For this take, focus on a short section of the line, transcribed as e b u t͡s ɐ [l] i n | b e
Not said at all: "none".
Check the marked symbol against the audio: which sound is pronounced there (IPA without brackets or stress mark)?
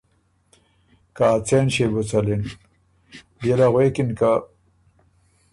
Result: l